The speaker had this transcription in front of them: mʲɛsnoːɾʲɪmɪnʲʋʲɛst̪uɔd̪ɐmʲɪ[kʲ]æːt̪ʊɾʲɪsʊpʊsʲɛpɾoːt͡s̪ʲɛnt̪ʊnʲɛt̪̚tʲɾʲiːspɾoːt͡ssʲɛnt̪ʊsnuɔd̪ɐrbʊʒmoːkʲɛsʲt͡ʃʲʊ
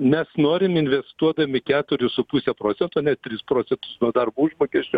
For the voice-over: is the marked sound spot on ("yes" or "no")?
yes